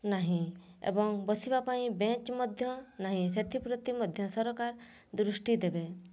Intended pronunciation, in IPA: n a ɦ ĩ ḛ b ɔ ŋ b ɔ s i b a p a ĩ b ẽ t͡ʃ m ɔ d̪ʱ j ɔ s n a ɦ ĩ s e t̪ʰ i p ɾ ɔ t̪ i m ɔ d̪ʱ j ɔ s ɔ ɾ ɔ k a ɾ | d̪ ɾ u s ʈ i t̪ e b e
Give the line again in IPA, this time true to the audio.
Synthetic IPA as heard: n a ɦ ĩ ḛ b ɔ ŋ b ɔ s i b a p a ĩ b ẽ t͡ʃ m ɔ d̪ʱ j ɔ n a ɦ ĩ s e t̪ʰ i p ɾ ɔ t̪ i m ɔ d̪ʱ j ɔ s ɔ ɾ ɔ k a ɾ | d̪ ɾ u s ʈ i d̪ e b e